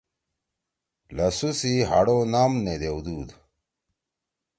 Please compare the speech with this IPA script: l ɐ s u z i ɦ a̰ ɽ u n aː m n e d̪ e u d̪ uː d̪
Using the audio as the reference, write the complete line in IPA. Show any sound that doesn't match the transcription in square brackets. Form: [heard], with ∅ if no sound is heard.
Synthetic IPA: l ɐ s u [s] i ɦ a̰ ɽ [o] n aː m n e d̪ e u d̪ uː d̪